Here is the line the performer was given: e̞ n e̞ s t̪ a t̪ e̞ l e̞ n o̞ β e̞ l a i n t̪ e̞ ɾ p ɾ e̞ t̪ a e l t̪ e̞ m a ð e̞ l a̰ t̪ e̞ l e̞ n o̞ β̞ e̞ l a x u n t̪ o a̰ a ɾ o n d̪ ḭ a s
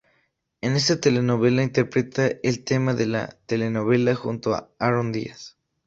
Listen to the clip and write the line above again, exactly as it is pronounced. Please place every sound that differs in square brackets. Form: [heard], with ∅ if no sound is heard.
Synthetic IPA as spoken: e̞ n e̞ s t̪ a t̪ e̞ l e̞ n o̞ β e̞ l a i n t̪ e̞ ɾ p ɾ e̞ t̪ a e l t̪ e̞ m a ð e̞ l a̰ t̪ e̞ l e̞ n o̞ β̞ e̞ l a x u n t̪ o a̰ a ɾ o n d̪ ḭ a s